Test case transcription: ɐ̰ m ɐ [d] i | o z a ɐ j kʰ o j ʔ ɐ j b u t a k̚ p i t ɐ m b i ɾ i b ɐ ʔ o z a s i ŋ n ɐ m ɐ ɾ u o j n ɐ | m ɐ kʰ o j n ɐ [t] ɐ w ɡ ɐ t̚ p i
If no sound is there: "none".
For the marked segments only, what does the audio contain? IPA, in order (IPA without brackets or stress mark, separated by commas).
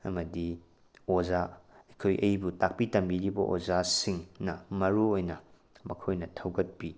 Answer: d, tʰ